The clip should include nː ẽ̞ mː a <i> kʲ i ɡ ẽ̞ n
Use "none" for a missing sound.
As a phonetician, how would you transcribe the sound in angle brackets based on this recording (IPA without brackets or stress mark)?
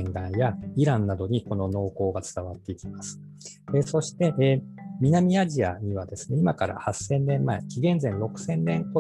e